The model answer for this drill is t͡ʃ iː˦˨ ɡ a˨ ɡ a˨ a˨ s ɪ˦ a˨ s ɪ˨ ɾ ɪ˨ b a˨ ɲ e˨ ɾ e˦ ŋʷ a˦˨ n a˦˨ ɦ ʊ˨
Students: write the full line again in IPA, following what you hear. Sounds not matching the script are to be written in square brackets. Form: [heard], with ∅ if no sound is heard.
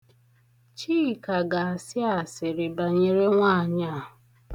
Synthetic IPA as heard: t͡ʃ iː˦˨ [k] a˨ ɡ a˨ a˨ s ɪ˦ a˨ s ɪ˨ ɾ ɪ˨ b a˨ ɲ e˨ ɾ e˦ ŋʷ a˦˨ [ɲ] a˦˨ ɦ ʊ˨